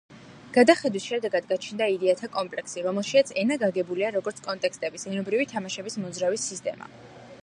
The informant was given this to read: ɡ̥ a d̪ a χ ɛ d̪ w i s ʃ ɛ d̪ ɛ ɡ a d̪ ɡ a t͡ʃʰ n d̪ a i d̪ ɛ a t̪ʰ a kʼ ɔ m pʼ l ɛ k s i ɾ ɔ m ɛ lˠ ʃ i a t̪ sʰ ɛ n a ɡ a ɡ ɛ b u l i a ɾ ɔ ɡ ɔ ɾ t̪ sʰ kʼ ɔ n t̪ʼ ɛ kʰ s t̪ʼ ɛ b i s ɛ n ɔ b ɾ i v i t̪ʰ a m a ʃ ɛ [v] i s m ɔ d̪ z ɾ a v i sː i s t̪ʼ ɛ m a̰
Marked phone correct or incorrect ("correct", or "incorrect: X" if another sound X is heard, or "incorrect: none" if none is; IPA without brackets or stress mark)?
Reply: incorrect: b